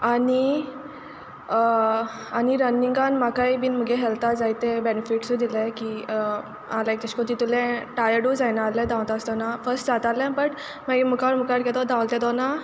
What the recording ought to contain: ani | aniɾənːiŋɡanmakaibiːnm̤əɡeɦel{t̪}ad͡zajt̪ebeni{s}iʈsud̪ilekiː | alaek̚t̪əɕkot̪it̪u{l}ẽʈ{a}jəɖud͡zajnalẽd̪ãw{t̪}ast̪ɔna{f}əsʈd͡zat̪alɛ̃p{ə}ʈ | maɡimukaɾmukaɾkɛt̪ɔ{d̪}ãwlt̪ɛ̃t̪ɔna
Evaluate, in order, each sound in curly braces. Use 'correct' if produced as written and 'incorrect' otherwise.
correct, incorrect, correct, correct, correct, correct, correct, correct

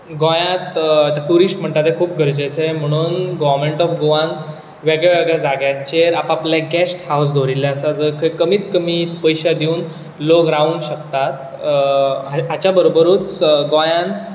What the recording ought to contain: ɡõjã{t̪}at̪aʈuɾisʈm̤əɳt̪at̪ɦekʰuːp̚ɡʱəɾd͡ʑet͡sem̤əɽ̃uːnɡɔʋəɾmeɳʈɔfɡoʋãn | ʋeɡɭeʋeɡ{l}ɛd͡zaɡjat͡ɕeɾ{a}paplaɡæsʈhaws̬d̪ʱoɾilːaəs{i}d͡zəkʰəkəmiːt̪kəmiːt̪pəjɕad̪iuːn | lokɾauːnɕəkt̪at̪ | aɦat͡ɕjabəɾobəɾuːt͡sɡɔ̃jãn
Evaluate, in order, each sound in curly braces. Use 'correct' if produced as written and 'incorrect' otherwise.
correct, incorrect, correct, incorrect

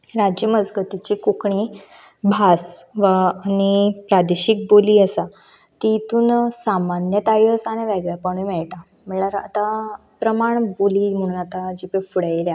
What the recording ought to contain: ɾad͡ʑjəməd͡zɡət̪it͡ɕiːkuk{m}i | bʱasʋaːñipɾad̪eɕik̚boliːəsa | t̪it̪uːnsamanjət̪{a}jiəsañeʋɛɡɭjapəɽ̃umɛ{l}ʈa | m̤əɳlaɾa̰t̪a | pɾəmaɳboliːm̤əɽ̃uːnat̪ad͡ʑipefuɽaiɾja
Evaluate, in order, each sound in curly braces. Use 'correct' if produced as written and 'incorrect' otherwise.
incorrect, correct, incorrect

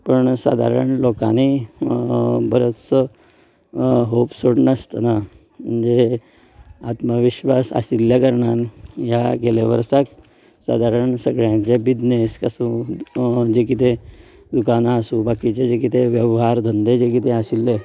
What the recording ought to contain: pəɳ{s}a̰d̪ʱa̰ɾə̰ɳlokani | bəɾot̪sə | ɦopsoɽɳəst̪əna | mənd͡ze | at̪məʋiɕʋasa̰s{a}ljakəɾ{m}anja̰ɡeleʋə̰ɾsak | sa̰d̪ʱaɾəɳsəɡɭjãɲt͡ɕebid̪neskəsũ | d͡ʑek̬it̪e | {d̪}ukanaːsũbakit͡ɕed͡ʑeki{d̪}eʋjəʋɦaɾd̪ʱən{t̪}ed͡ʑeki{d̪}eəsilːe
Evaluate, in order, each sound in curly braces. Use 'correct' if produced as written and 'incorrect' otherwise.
correct, incorrect, incorrect, correct, incorrect, incorrect, incorrect

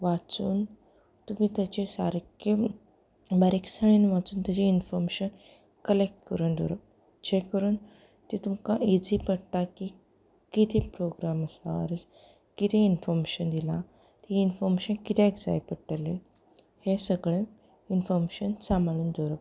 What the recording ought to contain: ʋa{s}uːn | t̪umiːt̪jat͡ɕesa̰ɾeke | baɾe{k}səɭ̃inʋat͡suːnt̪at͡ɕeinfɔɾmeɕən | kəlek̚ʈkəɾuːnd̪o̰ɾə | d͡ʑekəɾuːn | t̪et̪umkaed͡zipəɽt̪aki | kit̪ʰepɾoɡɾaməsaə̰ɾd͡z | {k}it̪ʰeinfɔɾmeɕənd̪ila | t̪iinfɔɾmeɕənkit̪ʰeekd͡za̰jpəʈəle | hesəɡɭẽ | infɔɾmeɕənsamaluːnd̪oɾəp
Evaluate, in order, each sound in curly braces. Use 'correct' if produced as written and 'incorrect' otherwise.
incorrect, correct, correct

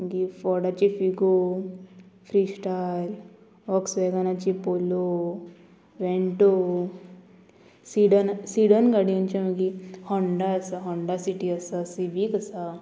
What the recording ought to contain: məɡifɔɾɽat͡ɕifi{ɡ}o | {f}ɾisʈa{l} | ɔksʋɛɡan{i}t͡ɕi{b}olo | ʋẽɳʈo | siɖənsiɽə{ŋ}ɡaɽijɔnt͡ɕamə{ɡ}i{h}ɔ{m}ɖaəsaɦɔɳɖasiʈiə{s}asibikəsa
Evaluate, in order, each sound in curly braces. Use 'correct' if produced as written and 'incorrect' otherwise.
correct, correct, correct, incorrect, incorrect, incorrect, correct, correct, incorrect, correct

